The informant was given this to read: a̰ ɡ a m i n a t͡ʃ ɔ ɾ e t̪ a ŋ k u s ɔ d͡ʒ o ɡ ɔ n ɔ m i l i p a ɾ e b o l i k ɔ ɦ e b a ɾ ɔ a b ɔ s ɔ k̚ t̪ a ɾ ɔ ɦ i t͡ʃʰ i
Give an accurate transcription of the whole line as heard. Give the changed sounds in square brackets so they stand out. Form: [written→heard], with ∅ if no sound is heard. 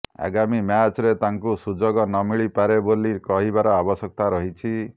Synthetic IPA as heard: a̰ ɡ a m i [n→m] a t͡ʃ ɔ ɾ e t̪ a ŋ k u s [ɔ→u] d͡ʒ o ɡ ɔ n ɔ m i [l→ɭ] i p a ɾ e b o l i k ɔ ɦ [e→i] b a ɾ ɔ a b ɔ s ɔ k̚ t̪ a ɾ ɔ ɦ i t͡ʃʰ i